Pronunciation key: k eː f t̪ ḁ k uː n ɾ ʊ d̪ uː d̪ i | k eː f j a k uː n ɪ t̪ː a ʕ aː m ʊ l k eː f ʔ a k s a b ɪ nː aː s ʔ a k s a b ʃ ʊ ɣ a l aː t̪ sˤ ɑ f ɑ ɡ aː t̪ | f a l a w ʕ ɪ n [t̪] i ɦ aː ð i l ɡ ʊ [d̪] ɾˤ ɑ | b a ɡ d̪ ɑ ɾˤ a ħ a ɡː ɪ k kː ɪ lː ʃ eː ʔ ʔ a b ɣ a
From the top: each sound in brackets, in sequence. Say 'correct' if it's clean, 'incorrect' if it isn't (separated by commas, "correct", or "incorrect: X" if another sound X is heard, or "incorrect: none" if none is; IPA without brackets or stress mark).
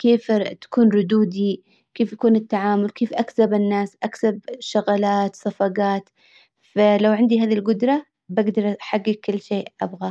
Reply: incorrect: d̪, correct